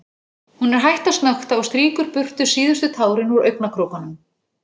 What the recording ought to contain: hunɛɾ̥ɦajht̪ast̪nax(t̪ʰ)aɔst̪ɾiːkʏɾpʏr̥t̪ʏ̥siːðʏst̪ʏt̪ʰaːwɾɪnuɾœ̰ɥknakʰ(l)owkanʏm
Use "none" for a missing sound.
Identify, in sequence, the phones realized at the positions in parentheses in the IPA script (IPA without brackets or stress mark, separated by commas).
t̪, ɾ